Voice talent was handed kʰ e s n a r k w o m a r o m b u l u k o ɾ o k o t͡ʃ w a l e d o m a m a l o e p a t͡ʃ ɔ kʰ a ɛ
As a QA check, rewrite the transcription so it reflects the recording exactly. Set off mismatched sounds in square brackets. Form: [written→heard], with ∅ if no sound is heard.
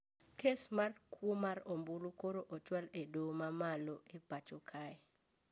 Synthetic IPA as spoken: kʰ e s [n→m] a r k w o m a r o m b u l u k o ɾ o [k→ʔ] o t͡ʃ w a l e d o m a m a l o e p a t͡ʃ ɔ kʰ a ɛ